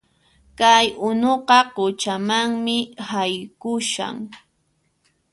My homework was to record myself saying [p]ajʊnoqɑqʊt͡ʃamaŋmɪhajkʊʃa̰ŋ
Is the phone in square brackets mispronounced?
yes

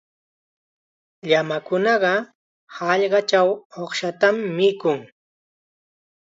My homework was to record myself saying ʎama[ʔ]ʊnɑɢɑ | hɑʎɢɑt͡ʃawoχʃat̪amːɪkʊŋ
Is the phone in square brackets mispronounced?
yes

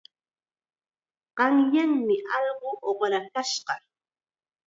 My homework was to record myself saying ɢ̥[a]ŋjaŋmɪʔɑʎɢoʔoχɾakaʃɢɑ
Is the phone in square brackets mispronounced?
yes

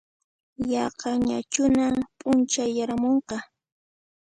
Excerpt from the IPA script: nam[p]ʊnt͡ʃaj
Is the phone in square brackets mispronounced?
yes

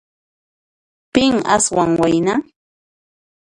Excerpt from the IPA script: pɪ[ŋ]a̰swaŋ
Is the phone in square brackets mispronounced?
no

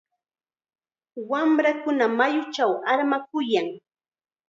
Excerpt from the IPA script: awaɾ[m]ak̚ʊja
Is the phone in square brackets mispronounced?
no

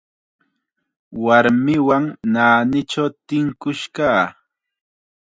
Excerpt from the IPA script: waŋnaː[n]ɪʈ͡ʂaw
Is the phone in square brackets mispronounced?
no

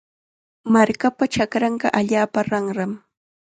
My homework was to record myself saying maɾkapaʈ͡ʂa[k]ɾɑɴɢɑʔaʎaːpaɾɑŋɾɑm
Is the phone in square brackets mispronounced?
no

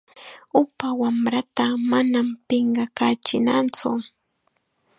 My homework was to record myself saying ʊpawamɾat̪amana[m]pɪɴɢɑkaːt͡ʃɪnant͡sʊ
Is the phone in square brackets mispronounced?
no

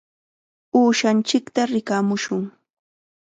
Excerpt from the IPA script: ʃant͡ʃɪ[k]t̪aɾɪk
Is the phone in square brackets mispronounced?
no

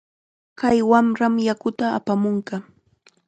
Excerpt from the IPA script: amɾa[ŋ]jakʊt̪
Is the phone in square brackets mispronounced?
yes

